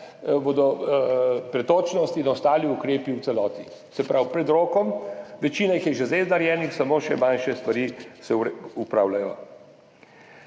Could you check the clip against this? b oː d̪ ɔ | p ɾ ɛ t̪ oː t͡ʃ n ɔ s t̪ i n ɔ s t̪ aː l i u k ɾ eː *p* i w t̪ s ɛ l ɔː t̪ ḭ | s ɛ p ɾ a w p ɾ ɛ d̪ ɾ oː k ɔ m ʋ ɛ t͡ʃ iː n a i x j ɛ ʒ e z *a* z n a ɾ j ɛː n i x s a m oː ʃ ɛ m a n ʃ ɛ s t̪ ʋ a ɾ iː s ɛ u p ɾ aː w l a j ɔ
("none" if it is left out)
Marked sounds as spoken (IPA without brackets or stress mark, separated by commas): p, e